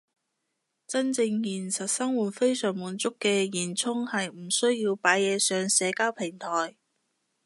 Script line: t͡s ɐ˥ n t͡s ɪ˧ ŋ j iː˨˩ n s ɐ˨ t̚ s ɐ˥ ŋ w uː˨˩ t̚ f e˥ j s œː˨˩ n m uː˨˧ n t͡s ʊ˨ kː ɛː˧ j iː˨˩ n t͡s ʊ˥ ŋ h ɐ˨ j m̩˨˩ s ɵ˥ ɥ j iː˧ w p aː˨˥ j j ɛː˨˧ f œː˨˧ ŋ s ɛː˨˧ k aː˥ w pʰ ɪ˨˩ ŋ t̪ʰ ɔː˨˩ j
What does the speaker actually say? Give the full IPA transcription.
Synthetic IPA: t͡s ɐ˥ n t͡s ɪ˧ ŋ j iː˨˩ n s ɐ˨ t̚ s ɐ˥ ŋ w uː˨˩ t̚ f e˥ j s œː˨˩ ŋ m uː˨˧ n t͡s ʊ˥ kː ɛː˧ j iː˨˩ n t͡sʰ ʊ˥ ŋ h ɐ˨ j m̩˨˩ s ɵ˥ ɥ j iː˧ w p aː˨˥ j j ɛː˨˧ s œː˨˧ ŋ s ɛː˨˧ k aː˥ w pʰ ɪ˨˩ ŋ t̪ʰ ɔː˨˩ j